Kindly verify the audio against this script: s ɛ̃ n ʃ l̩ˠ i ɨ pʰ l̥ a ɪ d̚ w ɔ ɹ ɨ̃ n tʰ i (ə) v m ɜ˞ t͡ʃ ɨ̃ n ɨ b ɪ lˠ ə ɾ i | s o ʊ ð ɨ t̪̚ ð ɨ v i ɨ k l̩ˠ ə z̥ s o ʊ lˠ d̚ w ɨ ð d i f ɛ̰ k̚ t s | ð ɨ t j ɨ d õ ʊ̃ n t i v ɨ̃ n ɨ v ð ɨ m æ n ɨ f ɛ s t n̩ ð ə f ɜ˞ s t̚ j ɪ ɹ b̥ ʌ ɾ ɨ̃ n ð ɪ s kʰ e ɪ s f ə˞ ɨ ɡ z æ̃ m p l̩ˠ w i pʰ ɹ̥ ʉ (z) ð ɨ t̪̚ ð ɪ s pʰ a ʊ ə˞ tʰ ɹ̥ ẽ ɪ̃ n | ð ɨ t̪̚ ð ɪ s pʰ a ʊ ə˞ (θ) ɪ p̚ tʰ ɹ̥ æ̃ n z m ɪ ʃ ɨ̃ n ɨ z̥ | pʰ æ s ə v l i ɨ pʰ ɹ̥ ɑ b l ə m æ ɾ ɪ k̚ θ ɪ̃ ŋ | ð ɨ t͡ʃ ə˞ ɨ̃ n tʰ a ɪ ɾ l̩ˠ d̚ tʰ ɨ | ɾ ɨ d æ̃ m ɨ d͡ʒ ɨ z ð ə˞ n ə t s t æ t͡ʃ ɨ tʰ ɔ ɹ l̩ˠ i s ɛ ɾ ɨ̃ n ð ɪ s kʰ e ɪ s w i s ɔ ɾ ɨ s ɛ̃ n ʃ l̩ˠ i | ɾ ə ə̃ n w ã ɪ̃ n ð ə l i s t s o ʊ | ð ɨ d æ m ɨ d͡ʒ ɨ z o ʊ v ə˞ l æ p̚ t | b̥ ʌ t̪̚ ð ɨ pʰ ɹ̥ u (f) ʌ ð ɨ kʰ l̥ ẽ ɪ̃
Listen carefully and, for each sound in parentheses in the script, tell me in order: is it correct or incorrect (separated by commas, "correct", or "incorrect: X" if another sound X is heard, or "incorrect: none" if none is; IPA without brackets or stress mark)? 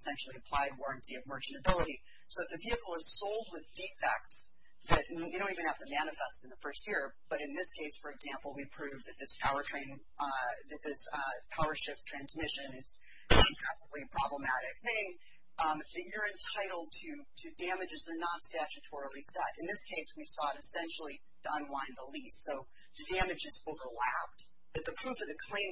incorrect: ʌ, incorrect: v, incorrect: ʃ, correct